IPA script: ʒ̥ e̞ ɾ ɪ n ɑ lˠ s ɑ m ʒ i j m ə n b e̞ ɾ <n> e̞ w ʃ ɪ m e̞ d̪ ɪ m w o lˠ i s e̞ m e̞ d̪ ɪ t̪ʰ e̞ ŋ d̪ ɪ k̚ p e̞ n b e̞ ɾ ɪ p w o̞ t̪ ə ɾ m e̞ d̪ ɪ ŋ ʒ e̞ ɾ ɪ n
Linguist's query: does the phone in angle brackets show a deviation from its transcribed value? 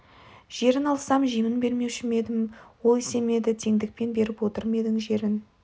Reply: yes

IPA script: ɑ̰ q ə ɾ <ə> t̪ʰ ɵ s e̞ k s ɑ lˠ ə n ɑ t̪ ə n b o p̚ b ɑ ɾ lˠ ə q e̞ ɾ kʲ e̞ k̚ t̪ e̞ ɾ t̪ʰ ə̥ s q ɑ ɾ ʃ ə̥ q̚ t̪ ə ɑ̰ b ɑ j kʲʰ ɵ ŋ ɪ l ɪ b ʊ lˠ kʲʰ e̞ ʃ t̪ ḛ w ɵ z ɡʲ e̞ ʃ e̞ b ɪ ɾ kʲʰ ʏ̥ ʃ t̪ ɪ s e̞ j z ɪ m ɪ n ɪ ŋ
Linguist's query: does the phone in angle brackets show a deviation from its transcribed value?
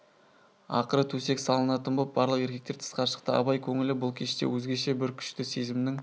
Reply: no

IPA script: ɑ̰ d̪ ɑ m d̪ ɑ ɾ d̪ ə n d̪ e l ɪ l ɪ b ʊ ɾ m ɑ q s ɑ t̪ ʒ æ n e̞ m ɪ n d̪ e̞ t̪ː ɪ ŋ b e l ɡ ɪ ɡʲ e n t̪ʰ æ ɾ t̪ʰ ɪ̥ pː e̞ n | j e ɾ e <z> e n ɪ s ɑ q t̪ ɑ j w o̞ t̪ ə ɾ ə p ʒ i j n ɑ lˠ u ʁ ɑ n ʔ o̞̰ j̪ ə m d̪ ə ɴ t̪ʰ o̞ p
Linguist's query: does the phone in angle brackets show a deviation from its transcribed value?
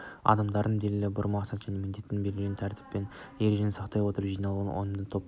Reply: yes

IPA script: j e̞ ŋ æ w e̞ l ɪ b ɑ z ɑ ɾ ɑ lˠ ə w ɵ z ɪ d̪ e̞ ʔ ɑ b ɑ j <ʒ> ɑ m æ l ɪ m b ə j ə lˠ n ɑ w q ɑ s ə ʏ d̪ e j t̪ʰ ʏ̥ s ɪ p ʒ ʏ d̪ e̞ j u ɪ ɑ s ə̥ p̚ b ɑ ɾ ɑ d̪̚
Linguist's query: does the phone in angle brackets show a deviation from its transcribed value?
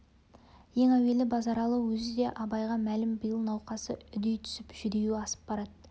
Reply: yes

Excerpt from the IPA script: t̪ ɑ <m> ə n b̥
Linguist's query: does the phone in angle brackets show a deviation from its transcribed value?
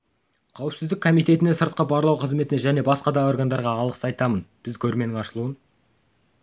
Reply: no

